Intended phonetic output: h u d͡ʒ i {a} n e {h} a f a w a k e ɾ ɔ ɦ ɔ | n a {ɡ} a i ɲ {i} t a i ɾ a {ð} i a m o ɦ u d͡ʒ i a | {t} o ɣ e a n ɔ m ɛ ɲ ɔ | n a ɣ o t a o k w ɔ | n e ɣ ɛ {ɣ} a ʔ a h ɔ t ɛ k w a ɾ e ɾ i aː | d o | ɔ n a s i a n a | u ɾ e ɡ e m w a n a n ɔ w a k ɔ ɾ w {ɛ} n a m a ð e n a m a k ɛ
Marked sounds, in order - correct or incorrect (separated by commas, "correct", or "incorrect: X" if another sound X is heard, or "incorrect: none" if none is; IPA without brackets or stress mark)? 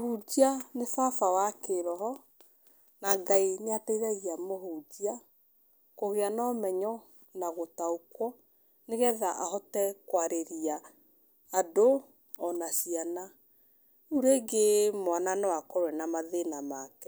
correct, incorrect: f, correct, incorrect: a, incorrect: ɣ, incorrect: k, incorrect: ð, correct